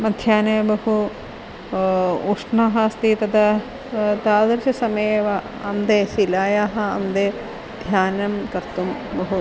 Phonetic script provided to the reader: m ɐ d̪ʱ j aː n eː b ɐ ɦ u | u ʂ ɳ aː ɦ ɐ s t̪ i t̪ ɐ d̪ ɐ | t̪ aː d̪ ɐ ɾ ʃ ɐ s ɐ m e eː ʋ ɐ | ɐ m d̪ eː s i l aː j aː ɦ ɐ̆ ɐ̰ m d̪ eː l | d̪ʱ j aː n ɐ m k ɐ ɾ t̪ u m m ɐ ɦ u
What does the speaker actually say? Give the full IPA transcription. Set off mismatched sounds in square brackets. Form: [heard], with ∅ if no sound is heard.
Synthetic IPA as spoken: m ɐ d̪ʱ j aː n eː b ɐ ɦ u | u ʂ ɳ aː ɦ ɐ s t̪ i t̪ ɐ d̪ ɐ | t̪ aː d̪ ɐ ɾ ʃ ɐ s ɐ m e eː ʋ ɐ | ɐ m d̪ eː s i l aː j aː ɦ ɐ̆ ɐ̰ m d̪ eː [∅] | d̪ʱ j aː n ɐ m k ɐ ɾ t̪ u m [b] ɐ ɦ u